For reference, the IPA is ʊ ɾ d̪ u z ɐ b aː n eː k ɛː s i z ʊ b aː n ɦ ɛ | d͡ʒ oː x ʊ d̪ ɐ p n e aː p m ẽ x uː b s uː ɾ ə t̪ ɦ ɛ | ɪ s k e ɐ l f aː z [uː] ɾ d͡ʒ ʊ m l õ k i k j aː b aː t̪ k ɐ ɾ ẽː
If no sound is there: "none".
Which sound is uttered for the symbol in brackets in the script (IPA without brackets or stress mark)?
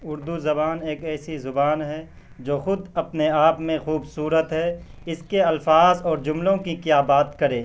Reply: ɔː